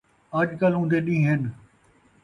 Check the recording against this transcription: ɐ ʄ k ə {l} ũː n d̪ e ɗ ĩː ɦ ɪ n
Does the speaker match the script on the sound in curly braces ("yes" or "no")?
yes